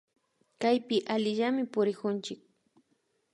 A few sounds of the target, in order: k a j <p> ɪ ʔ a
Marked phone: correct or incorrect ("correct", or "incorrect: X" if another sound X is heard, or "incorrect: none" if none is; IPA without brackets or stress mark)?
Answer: correct